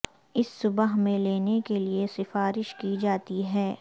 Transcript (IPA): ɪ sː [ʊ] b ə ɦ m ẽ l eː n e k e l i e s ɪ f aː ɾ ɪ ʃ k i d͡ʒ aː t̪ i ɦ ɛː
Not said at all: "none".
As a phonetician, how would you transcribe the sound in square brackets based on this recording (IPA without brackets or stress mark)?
ʊ